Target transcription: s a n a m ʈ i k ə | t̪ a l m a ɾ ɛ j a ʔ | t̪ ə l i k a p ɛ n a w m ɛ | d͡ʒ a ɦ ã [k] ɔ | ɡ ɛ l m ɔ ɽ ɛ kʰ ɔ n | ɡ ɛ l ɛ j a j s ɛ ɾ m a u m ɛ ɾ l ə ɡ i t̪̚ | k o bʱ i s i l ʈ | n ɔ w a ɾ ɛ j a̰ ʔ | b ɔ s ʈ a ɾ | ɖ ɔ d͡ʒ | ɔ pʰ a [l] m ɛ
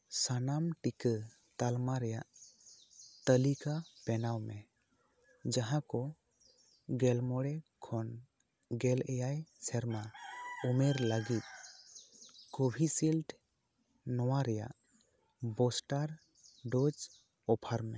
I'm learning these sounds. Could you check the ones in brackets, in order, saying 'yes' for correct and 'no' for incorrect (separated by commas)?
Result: yes, no